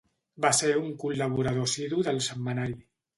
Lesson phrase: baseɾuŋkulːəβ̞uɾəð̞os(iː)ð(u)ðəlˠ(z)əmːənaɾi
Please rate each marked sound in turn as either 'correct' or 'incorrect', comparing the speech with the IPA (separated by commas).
incorrect, correct, incorrect